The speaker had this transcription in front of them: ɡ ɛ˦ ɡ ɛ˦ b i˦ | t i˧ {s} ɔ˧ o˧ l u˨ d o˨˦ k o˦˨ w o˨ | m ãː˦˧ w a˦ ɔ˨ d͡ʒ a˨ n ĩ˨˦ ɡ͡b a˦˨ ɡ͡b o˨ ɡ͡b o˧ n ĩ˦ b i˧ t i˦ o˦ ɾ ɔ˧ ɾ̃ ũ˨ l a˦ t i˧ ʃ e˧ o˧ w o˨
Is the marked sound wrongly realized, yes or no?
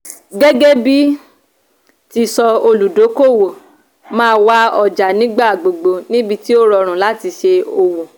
no